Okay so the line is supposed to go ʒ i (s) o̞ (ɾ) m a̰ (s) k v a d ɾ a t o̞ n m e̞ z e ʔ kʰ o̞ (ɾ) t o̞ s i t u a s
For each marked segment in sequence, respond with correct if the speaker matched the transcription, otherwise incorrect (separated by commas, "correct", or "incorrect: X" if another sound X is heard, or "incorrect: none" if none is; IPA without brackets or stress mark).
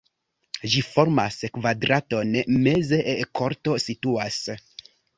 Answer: incorrect: f, correct, correct, correct